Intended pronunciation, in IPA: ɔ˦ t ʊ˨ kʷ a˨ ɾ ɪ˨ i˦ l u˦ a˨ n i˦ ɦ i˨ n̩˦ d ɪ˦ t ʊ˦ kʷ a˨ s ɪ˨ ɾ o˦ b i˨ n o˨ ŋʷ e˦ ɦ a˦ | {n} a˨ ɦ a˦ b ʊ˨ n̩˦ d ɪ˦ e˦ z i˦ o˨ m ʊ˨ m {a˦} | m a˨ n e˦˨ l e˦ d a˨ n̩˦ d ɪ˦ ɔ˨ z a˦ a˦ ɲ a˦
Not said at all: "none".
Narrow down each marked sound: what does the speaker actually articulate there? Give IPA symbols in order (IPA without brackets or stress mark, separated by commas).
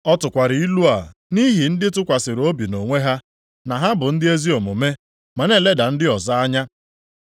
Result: n, e˦